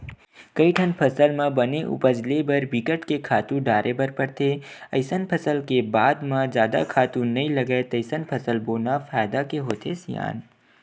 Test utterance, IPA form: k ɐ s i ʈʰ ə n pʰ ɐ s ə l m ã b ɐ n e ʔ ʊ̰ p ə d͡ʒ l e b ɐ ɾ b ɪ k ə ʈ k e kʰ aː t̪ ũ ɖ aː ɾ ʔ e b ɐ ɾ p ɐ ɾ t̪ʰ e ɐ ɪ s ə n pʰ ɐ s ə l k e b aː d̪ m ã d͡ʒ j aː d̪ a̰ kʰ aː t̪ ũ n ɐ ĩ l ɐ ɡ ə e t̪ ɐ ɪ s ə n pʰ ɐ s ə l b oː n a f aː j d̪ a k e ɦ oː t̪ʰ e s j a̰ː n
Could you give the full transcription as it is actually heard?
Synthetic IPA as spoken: k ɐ i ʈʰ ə n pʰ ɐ s ə l m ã b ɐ n e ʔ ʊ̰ p ə d͡ʒ l e b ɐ ɾ b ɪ k ə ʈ k e kʰ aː t̪ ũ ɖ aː ɾ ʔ e b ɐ ɾ p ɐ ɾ t̪ʰ e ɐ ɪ s ə n pʰ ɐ s ə l k e b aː d̪ m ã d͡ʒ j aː d̪ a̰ kʰ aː t̪ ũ n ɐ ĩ l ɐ ɡ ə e t̪ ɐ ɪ s ə n pʰ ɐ s ə l b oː n a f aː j d̪ a k e ɦ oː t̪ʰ e s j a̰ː n